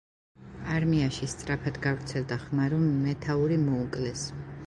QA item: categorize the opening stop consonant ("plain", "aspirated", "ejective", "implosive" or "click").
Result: plain